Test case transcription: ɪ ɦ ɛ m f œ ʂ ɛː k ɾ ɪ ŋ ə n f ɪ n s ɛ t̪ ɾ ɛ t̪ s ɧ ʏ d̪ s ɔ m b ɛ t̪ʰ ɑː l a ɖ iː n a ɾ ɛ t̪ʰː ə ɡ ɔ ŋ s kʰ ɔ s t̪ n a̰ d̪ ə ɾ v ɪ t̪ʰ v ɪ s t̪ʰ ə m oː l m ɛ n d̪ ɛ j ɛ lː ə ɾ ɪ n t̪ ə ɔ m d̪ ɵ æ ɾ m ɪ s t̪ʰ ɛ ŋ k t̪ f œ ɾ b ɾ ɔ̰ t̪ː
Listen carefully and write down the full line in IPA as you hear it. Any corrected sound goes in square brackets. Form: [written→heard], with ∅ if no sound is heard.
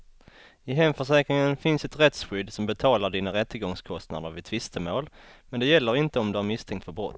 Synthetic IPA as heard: ɪ ɦ ɛ m f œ ʂ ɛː k ɾ ɪ ŋ ə n f ɪ n s ɛ t̪ ɾ ɛ t̪ s ɧ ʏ d̪ s ɔ m b ɛ t̪ʰ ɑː l a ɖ iː n a ɾ ɛ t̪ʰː ə ɡ ɔ ŋ s kʰ ɔ s t̪ n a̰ d̪ ə ɾ v ɪ t̪ʰ v ɪ s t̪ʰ ə m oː l m ɛ n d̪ ɛ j ɛ lː ə ɾ ɪ n t̪ ə ɔ m d̪ ɵ æ ɾ m ɪ s t̪ʰ ɛ ŋ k t̪ f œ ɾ b ɾ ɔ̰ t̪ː